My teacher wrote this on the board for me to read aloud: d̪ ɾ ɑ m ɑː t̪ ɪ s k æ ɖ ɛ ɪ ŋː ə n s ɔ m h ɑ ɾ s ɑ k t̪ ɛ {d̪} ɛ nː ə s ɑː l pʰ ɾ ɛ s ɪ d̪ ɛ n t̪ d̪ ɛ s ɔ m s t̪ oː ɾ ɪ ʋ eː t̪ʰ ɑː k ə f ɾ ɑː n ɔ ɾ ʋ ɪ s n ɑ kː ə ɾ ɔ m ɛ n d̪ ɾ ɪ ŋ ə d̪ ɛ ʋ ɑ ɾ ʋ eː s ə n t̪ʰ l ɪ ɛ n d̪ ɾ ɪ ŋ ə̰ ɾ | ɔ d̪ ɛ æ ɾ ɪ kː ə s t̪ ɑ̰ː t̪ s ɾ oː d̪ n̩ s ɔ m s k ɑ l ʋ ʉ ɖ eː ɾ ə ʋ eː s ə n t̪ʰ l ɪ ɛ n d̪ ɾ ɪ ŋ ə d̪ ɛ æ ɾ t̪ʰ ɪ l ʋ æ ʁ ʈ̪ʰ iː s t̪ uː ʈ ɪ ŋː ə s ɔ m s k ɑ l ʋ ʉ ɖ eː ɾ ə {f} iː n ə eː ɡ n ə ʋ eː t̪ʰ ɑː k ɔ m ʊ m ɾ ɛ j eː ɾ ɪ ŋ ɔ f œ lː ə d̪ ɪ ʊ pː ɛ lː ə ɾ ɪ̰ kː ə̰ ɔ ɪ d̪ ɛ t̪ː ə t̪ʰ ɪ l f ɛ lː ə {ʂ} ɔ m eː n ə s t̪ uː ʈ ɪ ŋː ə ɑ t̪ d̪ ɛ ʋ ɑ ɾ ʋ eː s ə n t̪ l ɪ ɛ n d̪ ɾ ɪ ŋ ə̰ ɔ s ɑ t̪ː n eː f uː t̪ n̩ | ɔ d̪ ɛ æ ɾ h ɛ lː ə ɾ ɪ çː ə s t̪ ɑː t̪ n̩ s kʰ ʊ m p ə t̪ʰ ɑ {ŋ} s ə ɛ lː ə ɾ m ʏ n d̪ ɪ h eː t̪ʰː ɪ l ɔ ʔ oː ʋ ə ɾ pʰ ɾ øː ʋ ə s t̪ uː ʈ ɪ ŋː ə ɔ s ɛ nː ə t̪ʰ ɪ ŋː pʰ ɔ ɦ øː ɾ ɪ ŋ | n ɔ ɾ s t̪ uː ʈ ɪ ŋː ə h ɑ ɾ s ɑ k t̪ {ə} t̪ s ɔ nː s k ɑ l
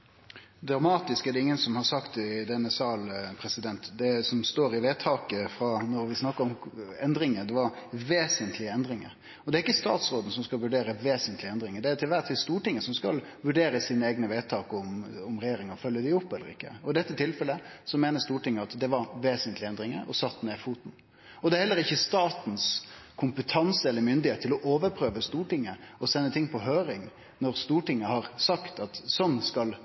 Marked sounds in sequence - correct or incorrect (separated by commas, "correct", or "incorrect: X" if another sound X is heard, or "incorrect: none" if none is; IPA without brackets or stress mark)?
correct, incorrect: s, incorrect: s, incorrect: n, incorrect: ɑ